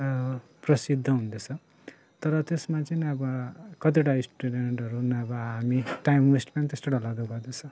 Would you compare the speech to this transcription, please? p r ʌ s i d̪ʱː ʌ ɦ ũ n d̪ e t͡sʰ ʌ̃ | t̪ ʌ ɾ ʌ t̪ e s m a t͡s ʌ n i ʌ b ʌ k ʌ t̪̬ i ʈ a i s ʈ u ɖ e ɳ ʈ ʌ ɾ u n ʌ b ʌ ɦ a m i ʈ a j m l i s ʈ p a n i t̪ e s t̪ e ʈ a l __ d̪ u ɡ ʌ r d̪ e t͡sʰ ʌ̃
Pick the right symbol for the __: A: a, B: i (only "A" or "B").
A